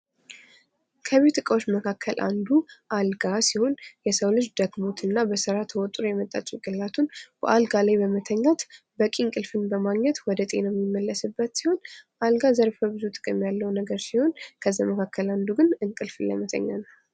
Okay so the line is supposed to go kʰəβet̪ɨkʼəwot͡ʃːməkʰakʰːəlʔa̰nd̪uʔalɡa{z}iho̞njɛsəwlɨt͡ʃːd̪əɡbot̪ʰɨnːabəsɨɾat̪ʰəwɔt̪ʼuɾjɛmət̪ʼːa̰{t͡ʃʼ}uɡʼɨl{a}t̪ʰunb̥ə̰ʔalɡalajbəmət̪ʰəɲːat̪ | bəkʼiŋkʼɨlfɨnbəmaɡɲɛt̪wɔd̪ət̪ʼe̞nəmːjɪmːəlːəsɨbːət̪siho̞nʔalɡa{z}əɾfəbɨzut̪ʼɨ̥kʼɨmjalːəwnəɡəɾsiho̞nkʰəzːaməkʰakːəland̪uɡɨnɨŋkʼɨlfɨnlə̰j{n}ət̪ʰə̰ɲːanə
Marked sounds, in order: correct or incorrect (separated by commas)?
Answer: incorrect, correct, correct, correct, incorrect